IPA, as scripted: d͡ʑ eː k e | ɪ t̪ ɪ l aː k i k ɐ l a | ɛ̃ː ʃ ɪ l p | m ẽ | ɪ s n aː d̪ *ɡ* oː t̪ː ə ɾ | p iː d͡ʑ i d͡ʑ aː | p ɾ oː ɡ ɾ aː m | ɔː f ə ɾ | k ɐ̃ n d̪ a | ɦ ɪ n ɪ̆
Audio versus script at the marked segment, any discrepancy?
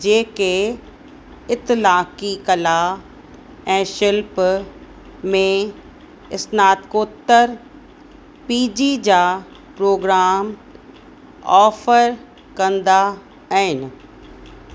yes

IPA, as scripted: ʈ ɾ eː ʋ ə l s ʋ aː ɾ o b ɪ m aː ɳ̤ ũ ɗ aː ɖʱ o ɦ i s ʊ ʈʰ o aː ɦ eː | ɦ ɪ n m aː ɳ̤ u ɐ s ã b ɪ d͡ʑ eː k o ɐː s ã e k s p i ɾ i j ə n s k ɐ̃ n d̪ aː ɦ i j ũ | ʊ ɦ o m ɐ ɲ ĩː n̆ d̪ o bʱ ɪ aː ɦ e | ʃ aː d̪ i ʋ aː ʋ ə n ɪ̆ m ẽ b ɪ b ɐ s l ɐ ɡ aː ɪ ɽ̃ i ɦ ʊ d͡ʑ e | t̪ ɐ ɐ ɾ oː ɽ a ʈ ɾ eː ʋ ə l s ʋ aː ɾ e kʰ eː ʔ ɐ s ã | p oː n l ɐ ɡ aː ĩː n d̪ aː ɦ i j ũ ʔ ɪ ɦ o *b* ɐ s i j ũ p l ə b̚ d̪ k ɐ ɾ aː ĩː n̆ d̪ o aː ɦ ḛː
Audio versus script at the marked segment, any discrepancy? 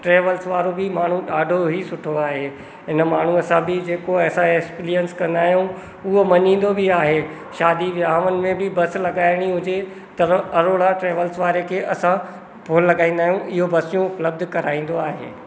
no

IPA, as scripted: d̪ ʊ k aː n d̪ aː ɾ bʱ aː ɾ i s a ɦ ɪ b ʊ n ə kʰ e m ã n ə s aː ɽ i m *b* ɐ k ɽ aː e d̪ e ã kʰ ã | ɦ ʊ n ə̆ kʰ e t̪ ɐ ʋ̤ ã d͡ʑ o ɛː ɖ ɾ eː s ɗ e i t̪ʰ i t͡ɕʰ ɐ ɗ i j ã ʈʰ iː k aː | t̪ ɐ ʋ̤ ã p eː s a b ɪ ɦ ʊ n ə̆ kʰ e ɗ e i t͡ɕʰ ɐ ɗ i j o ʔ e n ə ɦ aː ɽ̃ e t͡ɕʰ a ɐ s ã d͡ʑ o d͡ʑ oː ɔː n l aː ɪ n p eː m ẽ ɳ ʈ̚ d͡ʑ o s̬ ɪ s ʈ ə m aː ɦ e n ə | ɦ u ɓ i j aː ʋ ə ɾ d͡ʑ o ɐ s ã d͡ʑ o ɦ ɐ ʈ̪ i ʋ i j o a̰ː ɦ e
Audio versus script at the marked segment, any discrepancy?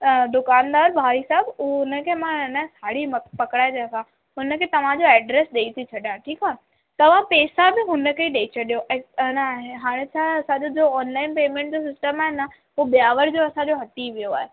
yes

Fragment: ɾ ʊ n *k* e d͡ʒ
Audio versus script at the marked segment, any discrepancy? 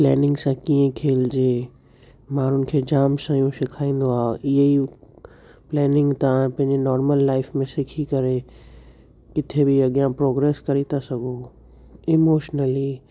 yes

